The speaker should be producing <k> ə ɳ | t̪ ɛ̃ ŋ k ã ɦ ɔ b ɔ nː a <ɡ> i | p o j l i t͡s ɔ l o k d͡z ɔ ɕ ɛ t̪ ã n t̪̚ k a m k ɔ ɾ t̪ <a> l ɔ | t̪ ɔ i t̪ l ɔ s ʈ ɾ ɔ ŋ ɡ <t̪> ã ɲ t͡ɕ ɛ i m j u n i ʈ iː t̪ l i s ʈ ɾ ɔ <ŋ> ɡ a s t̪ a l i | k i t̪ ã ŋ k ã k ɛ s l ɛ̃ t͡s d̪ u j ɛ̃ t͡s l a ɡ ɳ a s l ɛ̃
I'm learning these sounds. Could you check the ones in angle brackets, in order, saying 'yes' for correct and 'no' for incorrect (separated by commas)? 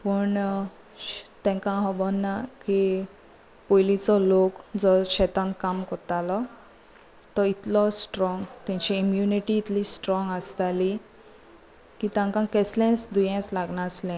no, no, yes, yes, yes